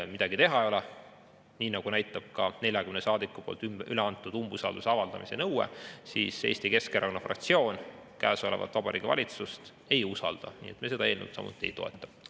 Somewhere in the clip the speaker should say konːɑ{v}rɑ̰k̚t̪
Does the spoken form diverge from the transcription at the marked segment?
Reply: yes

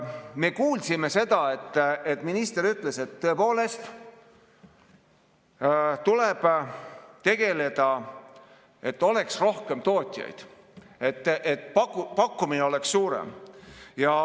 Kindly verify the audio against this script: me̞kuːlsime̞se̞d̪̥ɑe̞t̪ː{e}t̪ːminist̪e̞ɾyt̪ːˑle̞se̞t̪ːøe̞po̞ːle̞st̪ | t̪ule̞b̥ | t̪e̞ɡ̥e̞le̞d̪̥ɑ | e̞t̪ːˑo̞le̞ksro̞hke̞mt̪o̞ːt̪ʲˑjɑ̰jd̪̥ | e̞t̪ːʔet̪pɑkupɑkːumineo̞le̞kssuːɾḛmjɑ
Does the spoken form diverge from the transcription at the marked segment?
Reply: no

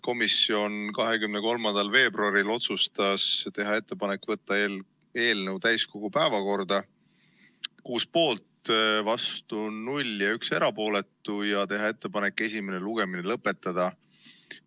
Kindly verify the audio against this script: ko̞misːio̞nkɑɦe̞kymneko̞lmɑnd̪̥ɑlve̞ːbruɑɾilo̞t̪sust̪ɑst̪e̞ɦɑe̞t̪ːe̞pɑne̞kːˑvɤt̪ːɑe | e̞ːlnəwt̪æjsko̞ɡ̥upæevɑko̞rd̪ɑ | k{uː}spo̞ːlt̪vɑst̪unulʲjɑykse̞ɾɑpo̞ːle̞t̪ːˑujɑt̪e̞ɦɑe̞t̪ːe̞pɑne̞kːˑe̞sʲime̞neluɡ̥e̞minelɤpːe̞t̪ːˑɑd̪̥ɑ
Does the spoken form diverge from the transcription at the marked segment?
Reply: no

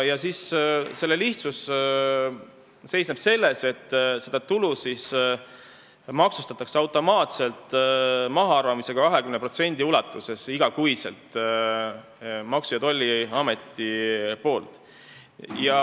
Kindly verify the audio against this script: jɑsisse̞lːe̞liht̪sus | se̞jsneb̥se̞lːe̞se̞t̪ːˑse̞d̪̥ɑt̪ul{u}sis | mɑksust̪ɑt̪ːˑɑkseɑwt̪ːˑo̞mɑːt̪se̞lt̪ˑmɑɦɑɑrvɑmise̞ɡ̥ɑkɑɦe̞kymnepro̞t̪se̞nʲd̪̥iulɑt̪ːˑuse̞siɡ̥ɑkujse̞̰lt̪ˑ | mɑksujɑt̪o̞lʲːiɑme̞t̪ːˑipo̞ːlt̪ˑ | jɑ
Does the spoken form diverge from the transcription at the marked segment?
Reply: no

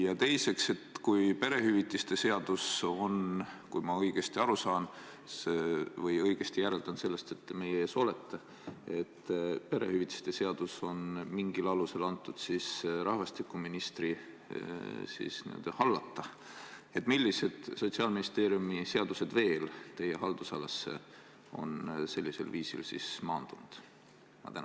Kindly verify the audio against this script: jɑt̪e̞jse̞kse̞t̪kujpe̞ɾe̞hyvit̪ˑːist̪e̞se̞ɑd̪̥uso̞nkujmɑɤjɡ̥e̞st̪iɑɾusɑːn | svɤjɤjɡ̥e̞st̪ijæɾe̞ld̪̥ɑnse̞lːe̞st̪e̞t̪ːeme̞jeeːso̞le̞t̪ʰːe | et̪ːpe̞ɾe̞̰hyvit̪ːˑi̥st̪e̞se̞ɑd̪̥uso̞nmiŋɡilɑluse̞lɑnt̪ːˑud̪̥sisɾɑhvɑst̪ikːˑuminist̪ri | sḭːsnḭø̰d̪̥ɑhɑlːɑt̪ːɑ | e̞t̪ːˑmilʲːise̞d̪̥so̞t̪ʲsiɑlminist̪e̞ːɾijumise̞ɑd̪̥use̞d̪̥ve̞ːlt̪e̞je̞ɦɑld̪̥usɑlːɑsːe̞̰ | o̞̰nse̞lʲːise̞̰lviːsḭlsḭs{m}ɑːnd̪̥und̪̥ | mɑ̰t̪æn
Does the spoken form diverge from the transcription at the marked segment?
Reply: no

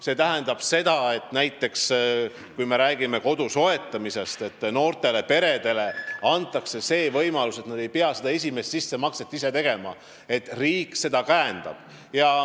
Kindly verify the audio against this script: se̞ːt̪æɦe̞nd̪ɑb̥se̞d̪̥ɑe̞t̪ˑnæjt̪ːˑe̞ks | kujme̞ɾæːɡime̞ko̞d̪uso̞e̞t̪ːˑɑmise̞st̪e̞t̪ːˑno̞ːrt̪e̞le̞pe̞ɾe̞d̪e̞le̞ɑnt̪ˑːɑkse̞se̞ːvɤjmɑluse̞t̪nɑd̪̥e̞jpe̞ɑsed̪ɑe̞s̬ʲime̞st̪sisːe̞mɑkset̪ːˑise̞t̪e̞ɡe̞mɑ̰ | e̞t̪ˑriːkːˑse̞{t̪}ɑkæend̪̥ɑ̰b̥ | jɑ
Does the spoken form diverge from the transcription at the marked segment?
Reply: yes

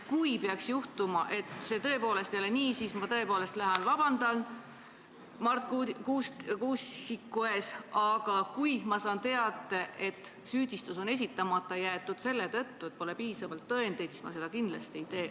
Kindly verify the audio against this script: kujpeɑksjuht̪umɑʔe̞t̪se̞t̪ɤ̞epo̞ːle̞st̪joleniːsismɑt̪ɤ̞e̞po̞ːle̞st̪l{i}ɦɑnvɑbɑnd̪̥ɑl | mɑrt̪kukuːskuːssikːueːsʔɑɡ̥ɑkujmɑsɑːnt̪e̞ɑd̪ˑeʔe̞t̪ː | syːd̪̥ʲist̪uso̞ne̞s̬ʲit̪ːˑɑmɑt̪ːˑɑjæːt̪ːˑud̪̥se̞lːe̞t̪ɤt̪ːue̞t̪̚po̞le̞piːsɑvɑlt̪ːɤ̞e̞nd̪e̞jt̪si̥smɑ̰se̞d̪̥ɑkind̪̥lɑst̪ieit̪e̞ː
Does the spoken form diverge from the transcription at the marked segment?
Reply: yes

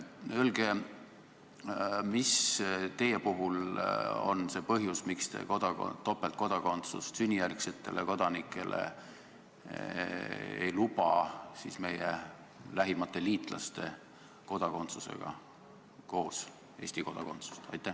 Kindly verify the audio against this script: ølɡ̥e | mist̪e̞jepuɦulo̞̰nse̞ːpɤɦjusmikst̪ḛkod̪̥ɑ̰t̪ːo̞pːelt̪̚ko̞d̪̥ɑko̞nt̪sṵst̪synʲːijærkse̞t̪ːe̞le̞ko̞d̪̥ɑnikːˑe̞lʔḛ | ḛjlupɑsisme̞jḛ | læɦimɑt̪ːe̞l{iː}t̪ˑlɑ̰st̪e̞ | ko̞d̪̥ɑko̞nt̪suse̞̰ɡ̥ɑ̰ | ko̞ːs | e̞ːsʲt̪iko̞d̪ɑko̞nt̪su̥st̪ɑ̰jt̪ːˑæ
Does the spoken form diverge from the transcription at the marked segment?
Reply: no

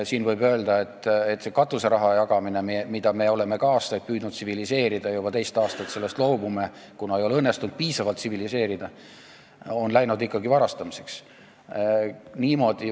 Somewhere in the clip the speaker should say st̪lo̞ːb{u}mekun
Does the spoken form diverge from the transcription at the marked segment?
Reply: no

